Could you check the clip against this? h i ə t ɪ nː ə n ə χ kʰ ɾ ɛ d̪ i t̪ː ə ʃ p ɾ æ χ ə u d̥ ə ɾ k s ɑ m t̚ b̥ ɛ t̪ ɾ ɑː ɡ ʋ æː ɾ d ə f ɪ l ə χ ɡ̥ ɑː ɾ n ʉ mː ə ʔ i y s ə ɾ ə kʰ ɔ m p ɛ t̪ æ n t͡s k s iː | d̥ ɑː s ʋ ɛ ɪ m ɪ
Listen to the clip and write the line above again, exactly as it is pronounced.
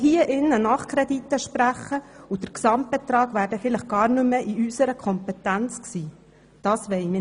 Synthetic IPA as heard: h i ə ʔ ɪ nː ə n ɑ χ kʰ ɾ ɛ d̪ i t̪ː ə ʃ p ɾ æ χ ə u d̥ ə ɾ k s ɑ m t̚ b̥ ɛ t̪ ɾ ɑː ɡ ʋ æː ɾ d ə f ɪ l ə χ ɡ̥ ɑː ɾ n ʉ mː ə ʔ i y s ə ɾ ə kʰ ɔ m p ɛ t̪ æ n t͡s k s iː | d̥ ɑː s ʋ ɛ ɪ m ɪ